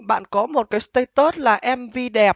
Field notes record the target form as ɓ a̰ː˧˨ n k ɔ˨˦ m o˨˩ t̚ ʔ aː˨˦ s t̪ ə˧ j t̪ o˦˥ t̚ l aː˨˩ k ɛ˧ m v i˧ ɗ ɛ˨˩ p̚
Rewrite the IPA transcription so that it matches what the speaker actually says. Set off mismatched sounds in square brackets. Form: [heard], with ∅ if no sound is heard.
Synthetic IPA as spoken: ɓ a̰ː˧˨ n k ɔ˨˦ m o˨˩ t̚ [k] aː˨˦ s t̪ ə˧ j t̪ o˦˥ t̚ l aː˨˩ [ʔ] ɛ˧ m v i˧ ɗ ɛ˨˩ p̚